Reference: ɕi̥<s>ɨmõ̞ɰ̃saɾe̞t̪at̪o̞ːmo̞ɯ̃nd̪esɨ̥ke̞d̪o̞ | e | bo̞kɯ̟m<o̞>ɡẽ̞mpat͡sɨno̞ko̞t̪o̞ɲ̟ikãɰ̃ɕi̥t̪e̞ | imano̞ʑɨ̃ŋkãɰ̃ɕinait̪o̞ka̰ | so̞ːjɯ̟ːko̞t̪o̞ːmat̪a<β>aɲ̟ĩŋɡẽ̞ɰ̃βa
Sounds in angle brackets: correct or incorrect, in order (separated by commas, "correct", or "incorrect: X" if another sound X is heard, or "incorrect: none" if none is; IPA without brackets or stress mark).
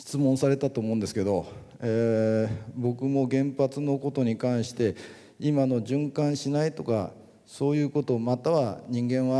incorrect: t͡s, correct, correct